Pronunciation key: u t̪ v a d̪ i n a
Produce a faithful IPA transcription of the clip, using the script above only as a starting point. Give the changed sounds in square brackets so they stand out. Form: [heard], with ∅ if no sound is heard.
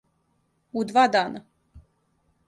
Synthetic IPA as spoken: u [d̪] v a d̪ [a] n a